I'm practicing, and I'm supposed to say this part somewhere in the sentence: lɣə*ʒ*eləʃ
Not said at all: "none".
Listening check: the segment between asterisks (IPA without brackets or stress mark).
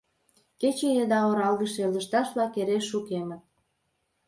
ʃ